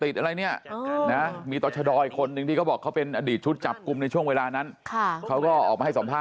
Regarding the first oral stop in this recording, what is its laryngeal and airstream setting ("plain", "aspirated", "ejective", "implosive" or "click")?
plain